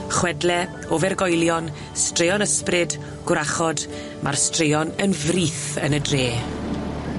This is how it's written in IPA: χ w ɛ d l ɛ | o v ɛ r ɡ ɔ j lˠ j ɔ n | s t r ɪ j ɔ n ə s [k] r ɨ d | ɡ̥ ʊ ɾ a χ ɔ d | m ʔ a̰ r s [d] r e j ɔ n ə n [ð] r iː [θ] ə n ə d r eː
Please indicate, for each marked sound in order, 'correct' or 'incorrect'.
incorrect: p, incorrect: t, incorrect: v, correct

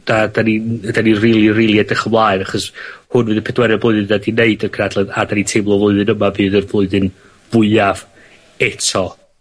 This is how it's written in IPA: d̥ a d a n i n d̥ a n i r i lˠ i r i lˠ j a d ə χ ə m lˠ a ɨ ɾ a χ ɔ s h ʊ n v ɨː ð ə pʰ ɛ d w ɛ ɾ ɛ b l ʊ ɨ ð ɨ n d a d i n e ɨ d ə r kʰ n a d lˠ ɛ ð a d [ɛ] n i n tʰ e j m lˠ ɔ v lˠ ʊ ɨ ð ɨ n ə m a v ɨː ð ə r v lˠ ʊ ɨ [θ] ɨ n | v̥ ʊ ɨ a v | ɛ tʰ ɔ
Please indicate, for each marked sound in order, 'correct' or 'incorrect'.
incorrect: a, incorrect: ð

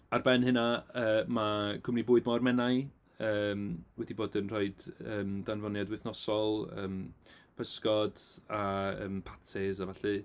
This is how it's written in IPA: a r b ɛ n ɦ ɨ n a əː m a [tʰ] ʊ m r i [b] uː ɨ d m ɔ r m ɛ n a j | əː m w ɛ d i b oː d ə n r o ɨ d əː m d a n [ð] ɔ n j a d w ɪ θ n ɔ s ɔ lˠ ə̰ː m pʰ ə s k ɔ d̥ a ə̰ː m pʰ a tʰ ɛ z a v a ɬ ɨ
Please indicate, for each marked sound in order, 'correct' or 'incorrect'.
incorrect: kʰ, correct, incorrect: v

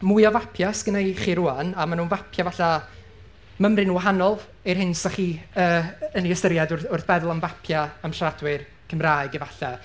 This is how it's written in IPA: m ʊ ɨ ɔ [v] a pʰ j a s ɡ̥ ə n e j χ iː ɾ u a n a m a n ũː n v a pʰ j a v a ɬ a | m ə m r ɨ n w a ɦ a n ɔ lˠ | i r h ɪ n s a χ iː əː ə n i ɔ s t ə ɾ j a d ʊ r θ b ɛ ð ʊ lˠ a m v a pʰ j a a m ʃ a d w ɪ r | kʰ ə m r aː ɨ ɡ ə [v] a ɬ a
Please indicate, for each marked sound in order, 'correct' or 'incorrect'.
correct, correct

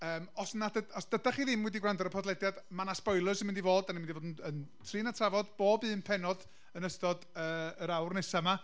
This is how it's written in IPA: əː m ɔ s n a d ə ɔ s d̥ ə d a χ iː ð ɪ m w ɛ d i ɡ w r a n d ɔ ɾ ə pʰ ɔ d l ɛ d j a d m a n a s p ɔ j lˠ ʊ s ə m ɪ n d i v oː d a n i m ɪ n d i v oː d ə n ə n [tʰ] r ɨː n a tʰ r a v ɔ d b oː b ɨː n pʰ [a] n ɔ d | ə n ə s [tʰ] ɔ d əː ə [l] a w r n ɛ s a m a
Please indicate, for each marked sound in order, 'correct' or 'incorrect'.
correct, incorrect: ɛ, incorrect: t, incorrect: ɾ

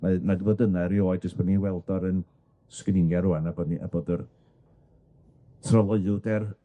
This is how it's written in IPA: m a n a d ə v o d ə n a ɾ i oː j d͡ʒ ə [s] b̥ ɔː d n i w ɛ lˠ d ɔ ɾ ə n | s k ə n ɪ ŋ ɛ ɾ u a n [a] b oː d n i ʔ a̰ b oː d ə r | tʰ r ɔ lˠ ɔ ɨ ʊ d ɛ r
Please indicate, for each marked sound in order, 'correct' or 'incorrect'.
correct, correct

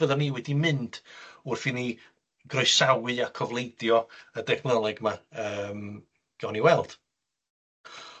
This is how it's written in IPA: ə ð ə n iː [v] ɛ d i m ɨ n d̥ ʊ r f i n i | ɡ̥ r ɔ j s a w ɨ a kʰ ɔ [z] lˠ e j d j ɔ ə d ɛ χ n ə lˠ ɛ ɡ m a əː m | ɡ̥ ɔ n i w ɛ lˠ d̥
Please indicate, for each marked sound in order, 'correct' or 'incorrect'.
incorrect: w, incorrect: v

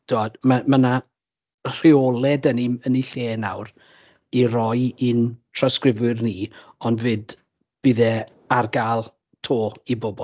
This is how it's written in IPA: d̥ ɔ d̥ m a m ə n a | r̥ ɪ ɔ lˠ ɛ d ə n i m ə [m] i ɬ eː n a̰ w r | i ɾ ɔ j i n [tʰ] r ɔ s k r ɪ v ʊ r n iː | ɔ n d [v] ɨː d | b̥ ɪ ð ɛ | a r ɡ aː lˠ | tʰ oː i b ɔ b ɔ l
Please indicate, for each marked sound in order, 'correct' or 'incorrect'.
incorrect: n, correct, correct

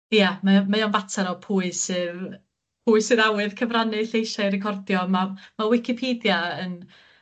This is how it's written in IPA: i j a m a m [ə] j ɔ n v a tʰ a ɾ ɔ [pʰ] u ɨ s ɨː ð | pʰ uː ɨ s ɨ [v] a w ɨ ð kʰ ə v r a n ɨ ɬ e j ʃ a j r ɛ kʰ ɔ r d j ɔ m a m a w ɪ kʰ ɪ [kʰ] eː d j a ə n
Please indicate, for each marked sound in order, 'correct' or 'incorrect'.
incorrect: a, correct, incorrect: ð, incorrect: pʰ

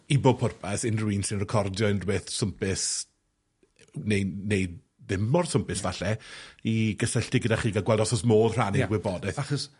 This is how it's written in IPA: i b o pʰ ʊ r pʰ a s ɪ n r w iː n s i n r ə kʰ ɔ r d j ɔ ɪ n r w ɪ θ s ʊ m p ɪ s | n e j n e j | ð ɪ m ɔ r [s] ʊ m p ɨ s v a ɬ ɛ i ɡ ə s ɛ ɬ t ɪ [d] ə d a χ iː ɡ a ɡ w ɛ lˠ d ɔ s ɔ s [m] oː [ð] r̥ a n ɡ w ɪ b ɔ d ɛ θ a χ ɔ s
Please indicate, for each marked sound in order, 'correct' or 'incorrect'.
correct, incorrect: ɡ, correct, correct

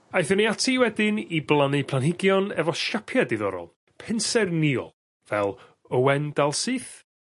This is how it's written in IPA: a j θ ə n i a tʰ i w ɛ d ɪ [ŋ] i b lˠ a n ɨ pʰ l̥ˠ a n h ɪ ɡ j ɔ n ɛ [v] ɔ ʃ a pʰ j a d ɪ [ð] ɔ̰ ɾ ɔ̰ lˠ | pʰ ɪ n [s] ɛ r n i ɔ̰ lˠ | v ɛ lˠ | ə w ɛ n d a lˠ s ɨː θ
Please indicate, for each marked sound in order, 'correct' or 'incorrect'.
incorrect: n, correct, correct, correct

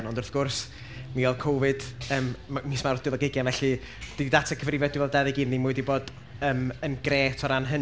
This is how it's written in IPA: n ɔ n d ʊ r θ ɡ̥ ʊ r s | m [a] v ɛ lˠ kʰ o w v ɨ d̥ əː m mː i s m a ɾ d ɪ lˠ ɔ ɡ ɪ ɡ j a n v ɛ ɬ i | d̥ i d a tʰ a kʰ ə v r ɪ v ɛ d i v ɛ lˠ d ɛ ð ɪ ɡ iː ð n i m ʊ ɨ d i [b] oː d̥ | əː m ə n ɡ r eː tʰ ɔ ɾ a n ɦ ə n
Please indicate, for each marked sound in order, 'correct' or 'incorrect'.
incorrect: i, correct

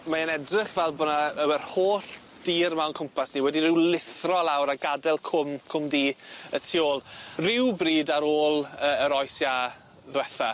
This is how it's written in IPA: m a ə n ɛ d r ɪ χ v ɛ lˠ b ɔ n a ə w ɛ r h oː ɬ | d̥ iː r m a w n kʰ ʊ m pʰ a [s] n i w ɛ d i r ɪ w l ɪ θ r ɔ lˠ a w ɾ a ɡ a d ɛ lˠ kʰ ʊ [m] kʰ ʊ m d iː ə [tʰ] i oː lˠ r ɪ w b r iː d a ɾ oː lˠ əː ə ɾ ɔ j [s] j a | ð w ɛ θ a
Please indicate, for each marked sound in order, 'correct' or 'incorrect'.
correct, correct, correct, correct

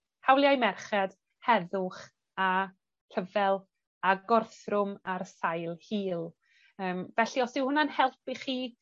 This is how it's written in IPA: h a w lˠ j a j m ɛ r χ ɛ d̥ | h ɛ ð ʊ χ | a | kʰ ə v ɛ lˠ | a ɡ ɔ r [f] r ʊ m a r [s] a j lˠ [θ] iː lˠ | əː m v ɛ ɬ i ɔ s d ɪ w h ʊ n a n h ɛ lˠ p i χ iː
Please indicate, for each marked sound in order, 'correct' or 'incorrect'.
incorrect: θ, correct, incorrect: h

